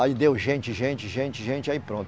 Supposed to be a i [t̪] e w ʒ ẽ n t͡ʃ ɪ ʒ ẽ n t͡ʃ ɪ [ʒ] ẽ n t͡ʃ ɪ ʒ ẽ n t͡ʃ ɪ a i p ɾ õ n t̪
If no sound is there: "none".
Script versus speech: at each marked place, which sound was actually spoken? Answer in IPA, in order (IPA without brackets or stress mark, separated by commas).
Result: d̪, ʒ